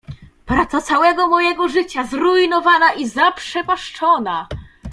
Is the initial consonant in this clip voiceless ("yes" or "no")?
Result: yes